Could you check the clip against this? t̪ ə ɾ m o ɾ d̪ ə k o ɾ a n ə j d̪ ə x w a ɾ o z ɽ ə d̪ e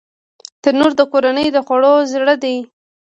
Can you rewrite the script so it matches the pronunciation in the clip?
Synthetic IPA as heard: t̪ ə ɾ n o ɾ d̪ ə k o ɾ a n ə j d̪ ə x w a ɽ o z ɽ ə d̪ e